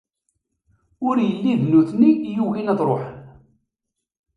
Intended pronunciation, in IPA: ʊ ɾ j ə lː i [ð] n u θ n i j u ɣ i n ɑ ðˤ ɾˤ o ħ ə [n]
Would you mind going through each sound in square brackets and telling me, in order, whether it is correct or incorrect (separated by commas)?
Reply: correct, correct